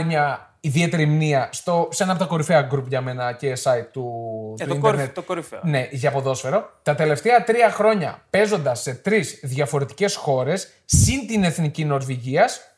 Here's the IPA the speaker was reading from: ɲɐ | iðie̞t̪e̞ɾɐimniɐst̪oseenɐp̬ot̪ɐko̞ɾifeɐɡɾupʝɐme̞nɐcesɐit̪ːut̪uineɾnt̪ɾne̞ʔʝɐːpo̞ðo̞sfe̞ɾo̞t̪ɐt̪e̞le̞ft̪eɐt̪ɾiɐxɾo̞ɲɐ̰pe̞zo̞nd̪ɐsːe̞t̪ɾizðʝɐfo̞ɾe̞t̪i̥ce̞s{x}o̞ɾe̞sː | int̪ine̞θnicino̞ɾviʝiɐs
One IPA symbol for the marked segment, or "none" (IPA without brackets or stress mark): x